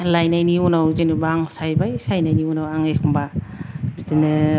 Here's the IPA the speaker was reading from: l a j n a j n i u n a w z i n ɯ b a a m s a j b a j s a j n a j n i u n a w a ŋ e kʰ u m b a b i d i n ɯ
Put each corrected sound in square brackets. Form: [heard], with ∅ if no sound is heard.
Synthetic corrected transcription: l a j n a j n i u n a w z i n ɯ b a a [ŋ] s a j b a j s a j n a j n i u n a w a ŋ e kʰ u m b a b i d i n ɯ